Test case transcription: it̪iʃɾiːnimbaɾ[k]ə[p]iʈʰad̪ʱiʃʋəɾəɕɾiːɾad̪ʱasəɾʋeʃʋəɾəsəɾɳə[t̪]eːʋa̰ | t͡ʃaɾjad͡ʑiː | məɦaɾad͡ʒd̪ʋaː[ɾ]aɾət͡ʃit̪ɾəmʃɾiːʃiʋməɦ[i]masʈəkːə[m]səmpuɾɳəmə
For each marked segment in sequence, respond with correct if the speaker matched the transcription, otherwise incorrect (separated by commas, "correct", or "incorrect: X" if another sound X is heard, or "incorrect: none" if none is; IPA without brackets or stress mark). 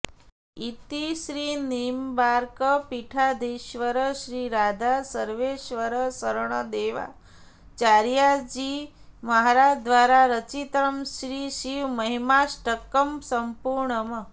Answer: correct, correct, incorrect: d̪, correct, correct, correct